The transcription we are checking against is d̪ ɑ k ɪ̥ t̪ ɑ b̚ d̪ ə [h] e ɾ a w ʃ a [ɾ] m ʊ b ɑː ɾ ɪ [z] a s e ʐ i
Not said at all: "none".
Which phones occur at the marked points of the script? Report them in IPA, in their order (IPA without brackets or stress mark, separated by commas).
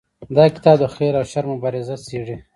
x, ɾ, z